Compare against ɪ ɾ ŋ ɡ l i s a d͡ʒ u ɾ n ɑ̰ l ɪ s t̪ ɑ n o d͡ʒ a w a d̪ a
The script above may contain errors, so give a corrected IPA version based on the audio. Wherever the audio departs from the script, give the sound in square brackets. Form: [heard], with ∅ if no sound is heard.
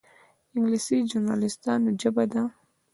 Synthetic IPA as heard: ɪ [∅] ŋ ɡ l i s [i] d͡ʒ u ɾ n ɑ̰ l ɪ s t̪ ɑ n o d͡ʒ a [b] a d̪ a